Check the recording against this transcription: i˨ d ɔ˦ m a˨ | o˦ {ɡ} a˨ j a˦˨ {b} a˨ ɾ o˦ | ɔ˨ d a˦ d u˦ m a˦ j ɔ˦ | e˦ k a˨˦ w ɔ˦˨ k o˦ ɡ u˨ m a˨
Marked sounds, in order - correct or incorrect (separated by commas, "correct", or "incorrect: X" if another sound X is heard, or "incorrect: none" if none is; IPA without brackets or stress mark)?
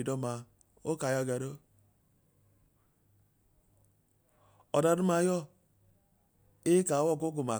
incorrect: k, incorrect: ɡ